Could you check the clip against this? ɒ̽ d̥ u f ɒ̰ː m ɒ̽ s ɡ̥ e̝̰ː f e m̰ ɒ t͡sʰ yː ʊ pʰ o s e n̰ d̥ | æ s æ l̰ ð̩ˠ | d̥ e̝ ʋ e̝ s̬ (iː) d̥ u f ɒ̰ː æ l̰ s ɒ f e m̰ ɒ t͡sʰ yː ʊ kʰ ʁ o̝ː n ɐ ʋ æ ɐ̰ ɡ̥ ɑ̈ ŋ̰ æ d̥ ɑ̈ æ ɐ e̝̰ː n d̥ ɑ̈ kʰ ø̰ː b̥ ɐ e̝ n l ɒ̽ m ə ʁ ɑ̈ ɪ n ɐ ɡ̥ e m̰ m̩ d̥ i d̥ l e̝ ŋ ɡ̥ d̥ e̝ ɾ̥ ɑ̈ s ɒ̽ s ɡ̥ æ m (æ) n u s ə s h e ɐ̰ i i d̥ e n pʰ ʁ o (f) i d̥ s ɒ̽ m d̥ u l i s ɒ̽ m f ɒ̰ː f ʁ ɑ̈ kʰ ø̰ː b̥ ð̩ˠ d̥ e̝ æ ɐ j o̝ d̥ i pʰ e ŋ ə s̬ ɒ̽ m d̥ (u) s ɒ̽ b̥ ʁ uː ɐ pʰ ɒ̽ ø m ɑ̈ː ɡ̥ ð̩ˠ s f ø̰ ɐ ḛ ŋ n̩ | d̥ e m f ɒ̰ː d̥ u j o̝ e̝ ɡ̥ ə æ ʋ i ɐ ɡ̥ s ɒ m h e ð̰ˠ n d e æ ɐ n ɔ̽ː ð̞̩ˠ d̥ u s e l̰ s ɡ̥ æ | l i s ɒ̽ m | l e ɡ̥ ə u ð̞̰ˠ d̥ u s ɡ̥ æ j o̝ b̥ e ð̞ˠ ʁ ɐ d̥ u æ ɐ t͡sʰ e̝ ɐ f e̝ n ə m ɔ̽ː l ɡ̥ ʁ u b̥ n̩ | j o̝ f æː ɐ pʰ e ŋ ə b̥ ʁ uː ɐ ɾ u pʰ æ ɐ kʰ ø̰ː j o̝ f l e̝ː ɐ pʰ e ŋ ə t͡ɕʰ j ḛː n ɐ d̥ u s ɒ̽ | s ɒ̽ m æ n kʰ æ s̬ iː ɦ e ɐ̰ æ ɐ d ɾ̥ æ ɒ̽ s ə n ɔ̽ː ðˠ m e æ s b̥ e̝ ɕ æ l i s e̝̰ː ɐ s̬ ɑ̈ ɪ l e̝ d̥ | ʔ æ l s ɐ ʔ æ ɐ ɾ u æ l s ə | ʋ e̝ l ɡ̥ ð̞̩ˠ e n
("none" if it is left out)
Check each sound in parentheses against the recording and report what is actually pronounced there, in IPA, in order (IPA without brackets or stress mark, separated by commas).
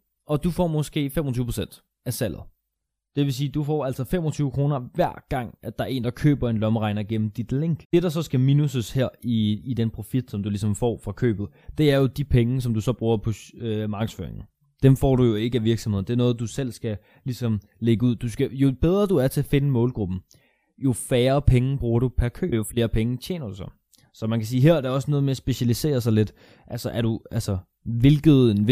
iː, i, f, u